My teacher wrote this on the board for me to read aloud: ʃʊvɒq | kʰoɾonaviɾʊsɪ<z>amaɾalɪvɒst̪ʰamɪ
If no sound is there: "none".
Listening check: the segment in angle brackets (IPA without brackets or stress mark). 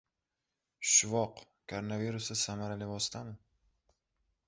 s